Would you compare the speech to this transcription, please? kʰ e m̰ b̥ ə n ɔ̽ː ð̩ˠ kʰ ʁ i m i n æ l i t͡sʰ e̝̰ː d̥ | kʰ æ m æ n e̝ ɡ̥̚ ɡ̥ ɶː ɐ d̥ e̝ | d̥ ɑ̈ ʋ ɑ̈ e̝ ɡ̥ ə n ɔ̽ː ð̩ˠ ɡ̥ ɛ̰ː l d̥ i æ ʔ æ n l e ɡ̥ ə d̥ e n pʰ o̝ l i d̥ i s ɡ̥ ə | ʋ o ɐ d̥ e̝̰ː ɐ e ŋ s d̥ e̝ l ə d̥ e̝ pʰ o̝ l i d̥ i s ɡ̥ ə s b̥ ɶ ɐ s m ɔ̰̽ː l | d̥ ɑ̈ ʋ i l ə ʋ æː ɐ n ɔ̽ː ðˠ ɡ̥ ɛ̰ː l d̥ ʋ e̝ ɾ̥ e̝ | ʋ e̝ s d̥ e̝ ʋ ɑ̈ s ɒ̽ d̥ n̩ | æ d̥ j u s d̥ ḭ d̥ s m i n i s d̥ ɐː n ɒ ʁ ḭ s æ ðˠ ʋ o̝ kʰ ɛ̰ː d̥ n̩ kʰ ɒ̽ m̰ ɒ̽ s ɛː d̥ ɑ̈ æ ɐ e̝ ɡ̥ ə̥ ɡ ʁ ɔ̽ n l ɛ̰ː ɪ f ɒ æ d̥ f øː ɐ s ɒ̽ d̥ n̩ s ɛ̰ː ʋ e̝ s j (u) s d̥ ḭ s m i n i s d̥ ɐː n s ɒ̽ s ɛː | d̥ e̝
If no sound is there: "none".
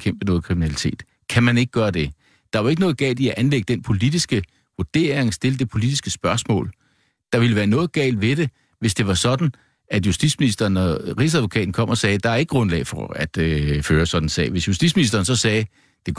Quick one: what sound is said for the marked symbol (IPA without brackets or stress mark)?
u